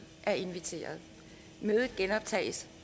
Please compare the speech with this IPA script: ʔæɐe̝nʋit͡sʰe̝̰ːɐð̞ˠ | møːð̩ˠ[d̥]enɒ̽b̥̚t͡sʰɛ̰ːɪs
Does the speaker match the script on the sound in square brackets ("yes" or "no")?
no